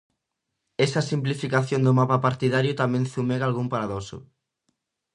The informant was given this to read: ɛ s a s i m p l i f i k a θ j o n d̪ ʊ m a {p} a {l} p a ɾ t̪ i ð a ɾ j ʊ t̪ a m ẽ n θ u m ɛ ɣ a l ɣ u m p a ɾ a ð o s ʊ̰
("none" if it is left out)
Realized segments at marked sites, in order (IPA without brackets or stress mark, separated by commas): p, none